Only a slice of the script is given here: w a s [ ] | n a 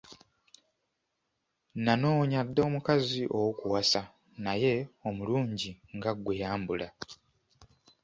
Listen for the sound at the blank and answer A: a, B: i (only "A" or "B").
A